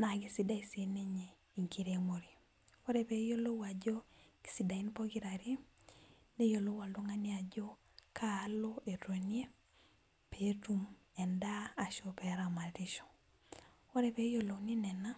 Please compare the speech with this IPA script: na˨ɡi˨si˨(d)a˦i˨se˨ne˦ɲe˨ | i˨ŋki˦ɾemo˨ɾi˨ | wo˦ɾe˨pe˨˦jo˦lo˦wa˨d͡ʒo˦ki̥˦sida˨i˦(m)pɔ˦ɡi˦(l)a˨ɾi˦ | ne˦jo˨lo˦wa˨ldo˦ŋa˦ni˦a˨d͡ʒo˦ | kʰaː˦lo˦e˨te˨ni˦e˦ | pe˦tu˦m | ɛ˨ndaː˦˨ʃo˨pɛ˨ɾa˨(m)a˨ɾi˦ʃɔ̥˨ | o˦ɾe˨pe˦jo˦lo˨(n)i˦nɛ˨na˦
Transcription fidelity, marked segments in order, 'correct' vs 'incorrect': correct, incorrect, incorrect, correct, correct

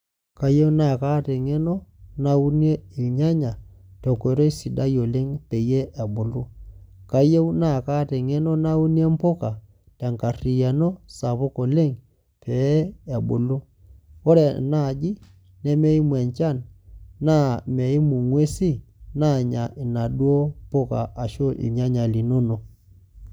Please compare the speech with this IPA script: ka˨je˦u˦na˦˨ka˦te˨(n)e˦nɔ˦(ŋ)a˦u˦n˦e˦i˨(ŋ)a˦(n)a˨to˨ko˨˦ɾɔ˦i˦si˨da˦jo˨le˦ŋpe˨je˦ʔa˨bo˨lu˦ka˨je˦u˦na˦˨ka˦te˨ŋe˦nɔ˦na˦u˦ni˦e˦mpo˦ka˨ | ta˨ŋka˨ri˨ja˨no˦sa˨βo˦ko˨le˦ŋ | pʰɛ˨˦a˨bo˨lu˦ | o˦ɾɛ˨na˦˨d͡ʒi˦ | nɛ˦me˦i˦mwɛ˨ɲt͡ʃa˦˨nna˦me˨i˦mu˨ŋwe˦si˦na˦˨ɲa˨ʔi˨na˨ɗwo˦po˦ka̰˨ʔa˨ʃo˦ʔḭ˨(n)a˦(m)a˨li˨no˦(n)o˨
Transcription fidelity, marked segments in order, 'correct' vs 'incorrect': incorrect, incorrect, incorrect, incorrect, incorrect, incorrect, correct

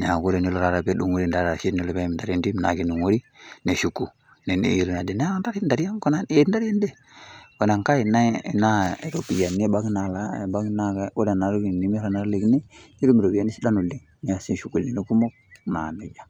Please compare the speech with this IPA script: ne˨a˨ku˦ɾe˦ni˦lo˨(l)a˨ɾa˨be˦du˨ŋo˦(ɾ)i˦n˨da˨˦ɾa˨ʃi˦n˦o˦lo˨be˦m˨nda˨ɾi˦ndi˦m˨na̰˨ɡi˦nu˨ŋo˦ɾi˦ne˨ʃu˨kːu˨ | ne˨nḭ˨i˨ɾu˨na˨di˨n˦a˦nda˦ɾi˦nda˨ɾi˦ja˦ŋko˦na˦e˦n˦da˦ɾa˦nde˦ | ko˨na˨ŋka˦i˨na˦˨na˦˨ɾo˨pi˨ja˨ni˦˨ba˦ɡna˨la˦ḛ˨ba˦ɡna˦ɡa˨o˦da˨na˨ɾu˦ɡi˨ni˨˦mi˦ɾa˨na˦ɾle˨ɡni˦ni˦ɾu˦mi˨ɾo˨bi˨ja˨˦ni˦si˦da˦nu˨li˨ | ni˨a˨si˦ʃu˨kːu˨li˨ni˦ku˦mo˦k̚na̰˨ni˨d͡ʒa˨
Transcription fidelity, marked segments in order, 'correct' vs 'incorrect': incorrect, correct

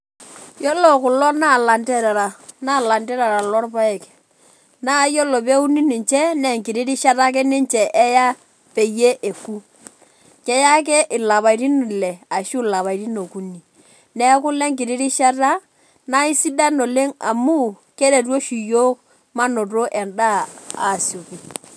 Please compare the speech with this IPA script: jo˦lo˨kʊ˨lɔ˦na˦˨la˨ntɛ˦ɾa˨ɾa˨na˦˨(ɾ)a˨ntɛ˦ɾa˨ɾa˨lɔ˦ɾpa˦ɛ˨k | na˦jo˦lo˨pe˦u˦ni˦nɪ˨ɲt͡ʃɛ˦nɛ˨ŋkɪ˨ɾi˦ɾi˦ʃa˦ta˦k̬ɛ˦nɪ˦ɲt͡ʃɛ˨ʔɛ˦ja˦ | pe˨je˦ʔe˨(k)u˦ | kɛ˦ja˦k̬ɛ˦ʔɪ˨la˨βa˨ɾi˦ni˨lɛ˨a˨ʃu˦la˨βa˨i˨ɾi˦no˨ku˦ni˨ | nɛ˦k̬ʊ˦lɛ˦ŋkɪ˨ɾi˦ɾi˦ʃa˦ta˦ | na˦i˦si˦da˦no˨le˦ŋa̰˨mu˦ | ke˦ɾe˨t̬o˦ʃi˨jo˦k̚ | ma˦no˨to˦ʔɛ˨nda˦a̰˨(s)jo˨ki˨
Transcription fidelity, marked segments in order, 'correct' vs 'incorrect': incorrect, correct, correct

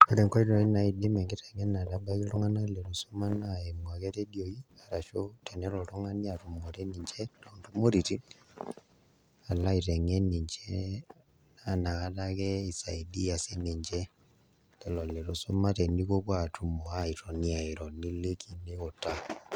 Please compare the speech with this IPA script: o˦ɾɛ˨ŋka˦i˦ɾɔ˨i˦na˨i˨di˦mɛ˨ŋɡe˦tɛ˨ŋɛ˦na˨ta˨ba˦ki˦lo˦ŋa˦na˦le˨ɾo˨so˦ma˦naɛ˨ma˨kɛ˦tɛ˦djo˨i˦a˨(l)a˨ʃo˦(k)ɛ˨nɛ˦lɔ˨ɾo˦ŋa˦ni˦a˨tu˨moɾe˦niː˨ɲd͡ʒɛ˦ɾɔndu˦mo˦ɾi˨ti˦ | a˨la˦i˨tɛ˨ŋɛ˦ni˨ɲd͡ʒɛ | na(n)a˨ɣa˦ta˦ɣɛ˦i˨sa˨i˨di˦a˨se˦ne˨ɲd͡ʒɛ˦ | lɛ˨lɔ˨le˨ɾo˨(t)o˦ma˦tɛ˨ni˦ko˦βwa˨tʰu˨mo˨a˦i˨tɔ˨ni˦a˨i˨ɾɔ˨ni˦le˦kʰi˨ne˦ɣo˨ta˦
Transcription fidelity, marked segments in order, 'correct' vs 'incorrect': incorrect, incorrect, correct, incorrect

